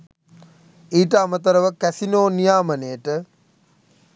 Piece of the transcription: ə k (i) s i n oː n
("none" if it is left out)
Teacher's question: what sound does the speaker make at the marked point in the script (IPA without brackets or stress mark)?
æ